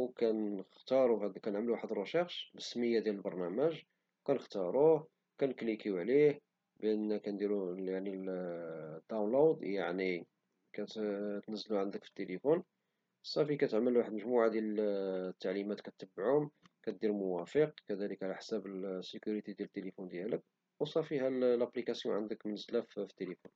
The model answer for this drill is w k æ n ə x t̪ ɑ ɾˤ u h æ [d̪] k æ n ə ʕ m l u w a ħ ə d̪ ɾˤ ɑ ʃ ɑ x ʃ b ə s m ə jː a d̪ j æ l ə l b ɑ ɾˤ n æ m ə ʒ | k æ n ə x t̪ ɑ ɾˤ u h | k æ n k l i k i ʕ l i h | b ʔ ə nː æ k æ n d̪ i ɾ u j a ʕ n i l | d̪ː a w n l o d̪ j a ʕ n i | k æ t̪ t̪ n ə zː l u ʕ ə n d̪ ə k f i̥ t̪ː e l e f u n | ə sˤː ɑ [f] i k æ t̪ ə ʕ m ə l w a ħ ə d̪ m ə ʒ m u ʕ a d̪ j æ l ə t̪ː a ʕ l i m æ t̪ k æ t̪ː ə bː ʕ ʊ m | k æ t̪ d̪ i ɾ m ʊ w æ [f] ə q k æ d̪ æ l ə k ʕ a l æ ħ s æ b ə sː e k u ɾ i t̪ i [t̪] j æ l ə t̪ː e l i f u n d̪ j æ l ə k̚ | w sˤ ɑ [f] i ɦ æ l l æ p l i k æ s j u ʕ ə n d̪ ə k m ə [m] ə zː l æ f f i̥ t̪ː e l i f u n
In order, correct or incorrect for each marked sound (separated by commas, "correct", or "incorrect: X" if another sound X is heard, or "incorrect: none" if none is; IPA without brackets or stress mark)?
correct, correct, correct, incorrect: d̪, correct, incorrect: n